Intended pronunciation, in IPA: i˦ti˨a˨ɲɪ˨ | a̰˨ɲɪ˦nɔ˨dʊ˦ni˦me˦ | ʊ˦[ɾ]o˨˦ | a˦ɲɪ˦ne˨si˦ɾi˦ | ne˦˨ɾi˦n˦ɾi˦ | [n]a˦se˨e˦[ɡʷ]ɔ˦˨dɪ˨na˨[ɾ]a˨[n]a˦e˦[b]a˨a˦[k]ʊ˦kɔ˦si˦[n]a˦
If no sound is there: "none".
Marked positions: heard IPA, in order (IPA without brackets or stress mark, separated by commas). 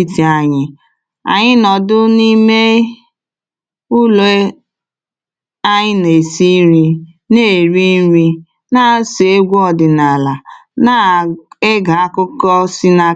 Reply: l, n, ɡʷ, l, n, ɡ, k, n